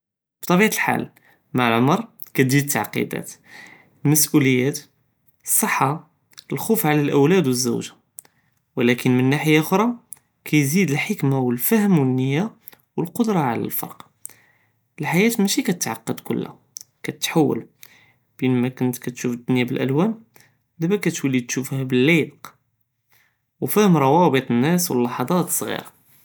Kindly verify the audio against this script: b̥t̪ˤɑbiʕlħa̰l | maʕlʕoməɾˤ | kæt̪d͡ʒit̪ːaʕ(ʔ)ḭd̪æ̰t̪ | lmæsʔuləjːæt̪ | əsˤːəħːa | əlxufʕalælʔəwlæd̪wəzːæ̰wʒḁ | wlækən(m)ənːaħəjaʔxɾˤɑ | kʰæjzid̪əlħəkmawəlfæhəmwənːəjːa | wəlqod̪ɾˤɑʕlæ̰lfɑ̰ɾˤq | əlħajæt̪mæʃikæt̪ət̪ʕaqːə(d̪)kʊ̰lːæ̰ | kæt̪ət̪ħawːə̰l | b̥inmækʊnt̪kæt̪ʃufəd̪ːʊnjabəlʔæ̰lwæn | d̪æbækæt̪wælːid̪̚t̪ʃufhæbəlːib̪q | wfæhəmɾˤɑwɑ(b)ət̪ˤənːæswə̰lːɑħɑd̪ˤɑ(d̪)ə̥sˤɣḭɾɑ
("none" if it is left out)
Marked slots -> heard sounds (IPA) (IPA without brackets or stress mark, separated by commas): q, m, d̪, b, t̪